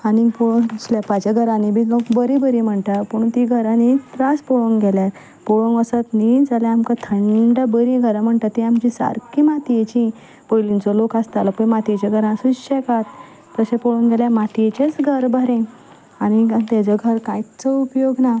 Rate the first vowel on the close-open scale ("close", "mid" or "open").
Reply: open